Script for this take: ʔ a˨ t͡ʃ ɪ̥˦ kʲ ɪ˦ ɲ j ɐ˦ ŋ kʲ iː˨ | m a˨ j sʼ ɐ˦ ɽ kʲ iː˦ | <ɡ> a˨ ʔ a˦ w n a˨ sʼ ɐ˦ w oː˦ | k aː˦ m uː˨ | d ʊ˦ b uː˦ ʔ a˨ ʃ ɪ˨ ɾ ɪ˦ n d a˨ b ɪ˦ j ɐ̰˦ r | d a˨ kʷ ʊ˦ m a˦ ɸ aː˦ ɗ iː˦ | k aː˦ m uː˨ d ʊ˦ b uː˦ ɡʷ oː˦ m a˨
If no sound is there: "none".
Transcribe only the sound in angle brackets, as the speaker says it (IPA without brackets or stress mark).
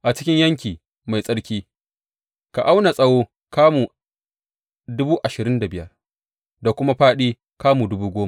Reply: k